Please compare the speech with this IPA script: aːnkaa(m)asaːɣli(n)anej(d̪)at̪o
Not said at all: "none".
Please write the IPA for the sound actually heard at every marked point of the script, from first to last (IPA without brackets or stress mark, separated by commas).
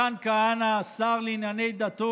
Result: n, n, d̪